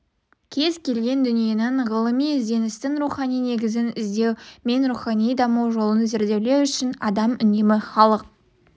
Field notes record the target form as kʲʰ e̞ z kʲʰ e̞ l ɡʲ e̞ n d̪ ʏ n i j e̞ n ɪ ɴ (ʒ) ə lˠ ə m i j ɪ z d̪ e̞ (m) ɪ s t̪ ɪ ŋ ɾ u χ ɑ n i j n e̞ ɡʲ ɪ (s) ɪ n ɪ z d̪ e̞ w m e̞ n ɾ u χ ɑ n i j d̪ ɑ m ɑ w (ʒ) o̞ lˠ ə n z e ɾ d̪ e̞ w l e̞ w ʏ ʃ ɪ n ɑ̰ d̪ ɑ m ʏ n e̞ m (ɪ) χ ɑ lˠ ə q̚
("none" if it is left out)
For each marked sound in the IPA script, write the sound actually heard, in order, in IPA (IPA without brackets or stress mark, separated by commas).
ʁ, n, z, ʒ, ɪ